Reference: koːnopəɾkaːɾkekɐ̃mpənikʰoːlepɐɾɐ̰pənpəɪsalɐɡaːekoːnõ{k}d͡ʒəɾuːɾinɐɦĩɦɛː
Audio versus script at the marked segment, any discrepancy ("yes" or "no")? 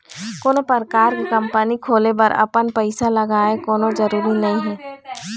yes